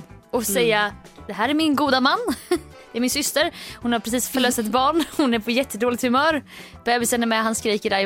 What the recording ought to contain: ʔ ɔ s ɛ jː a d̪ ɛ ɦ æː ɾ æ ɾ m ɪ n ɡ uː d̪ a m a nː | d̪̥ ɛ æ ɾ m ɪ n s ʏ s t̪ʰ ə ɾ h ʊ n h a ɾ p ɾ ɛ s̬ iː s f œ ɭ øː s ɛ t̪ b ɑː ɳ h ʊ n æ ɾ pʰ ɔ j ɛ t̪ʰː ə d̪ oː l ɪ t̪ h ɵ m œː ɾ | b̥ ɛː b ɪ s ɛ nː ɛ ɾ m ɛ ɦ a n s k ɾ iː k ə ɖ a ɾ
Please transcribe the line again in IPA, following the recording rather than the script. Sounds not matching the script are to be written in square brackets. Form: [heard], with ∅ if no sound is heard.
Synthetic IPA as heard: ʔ ɔ s ɛ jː a d̪ ɛ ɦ æː ɾ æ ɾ m ɪ n ɡ uː d̪ a m a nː | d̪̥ ɛ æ ɾ m ɪ n s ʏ s [t̪] ə ɾ h ʊ n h a ɾ p ɾ ɛ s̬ iː s f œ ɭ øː s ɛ t̪ b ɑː ɳ h ʊ n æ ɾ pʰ ɔ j ɛ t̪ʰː ə d̪ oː l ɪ t̪ h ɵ m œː ɾ | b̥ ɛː b ɪ s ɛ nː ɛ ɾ m ɛ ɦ a n s k ɾ iː k ə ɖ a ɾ